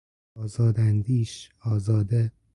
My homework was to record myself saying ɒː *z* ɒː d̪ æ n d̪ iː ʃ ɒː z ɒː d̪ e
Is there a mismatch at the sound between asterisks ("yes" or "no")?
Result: no